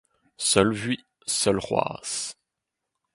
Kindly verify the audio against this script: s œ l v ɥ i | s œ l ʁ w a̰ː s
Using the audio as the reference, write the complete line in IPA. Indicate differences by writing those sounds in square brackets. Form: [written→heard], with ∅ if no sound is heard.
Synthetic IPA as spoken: s œ l v ɥ i | s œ l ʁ w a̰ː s